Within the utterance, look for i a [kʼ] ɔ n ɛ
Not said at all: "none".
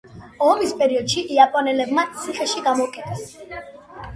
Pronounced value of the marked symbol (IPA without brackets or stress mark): pʼ